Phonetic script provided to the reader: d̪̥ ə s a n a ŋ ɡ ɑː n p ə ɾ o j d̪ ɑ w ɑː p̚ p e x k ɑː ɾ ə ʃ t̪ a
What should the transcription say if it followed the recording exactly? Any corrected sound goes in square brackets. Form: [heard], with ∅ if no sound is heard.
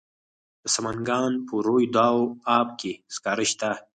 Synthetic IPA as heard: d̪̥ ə s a [m] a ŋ ɡ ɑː n p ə ɾ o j d̪ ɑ w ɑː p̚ [k] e [s] k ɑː ɾ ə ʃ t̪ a